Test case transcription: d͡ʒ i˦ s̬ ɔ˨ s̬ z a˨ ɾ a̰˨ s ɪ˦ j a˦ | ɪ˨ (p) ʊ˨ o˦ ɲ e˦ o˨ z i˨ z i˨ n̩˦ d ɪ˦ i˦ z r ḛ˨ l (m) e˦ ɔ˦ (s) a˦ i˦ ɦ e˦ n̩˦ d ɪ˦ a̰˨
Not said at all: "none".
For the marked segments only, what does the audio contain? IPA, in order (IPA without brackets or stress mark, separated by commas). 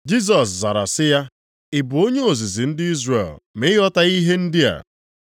b, m, t